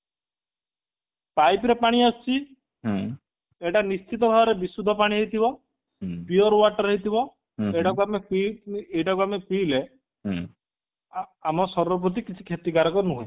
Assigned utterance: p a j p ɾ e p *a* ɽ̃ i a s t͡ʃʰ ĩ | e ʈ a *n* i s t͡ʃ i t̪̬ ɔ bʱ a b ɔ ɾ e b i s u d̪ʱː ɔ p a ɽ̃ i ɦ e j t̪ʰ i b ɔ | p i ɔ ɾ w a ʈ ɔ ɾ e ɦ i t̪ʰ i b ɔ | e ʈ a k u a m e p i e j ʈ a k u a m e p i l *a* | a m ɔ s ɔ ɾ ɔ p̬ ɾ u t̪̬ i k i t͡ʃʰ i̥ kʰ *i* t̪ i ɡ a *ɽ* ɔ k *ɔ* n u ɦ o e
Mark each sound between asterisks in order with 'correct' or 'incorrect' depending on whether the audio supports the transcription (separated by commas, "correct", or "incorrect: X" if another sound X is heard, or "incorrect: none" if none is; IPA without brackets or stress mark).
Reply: correct, correct, incorrect: e, incorrect: e, incorrect: ɾ, correct